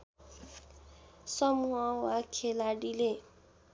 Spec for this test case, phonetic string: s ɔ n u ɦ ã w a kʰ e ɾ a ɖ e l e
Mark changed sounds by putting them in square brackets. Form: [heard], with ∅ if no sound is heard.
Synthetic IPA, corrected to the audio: s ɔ [m] u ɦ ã w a kʰ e [l] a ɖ [i] l e